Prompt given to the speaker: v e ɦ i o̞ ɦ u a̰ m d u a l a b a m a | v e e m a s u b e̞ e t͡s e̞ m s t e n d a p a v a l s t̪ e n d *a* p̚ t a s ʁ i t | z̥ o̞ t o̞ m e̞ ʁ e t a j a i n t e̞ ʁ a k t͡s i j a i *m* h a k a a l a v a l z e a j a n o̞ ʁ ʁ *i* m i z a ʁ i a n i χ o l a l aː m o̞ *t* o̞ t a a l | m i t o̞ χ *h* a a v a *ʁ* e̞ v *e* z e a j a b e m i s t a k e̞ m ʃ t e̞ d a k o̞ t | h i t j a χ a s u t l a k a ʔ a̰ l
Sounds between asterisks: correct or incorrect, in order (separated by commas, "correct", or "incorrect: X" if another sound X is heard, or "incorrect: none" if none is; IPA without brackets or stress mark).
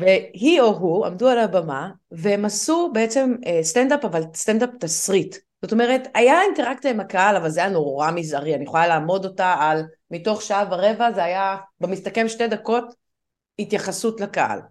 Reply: correct, correct, incorrect: a, incorrect: d, incorrect: ʃ, correct, incorrect: a